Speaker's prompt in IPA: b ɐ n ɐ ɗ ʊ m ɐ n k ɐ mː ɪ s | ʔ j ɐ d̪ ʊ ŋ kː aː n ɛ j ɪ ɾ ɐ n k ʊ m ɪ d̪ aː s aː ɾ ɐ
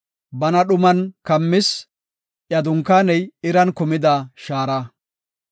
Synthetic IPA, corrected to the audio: b ɐ n ɐ ɗ ʊ m ɐ n k ɐ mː ɪ s | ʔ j ɐ d̪ ʊ ŋ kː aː n ɛ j ɪ ɾ ɐ n k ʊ m ɪ d̪ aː ʃ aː ɾ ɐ